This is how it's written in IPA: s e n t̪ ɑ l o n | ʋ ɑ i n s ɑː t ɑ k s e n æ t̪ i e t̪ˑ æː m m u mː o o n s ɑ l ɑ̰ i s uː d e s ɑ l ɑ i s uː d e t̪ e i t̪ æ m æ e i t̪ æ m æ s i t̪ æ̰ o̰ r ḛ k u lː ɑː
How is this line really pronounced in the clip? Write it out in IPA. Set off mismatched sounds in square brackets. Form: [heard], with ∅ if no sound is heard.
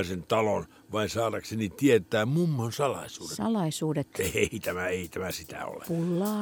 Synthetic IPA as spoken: s e n t̪ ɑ l o n | ʋ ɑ i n s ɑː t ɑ k s e n [i] t̪ i e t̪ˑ æː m m u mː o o n s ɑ l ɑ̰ i s uː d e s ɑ l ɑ i s uː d e t̪ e i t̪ æ m æ e i t̪ æ m æ s i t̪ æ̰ o̰ [l] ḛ [p] u lː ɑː